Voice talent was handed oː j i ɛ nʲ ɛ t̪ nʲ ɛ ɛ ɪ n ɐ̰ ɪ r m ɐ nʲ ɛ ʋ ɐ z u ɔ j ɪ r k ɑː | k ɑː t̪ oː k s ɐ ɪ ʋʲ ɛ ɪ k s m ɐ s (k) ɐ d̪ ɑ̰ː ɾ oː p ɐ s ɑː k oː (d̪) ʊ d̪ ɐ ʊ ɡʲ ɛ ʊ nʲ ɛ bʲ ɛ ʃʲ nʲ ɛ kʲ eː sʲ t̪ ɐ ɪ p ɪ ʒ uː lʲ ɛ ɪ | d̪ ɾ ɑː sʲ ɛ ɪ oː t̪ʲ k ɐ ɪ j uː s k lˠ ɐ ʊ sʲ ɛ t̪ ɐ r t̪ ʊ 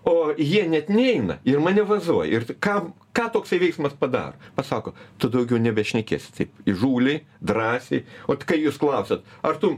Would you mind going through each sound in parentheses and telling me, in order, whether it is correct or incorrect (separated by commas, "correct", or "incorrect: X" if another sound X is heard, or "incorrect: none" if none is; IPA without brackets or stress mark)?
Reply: incorrect: p, incorrect: t̪